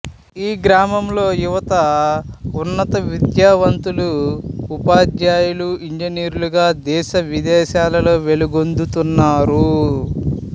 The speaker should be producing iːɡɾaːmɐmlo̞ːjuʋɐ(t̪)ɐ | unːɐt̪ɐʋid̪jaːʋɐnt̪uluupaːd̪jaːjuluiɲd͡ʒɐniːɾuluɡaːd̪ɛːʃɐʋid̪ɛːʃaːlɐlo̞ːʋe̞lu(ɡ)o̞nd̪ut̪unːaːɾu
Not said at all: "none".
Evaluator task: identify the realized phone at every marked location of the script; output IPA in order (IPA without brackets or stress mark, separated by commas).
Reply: t̪, ɡ